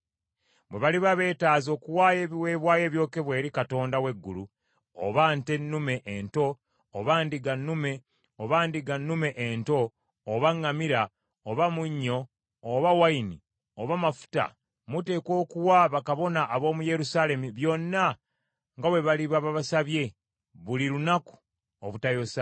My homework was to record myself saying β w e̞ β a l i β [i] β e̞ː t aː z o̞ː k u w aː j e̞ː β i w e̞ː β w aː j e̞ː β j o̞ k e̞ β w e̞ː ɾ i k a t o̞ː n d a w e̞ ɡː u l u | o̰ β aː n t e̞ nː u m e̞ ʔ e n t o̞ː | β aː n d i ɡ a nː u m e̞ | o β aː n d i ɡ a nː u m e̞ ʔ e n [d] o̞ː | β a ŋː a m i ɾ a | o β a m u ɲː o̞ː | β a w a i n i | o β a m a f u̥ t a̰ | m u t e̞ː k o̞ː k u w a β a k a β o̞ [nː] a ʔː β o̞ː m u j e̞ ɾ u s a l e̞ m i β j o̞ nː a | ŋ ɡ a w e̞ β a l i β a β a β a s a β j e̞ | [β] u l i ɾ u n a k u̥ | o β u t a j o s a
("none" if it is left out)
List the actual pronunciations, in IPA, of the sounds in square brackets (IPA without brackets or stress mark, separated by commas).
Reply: a, t, n, β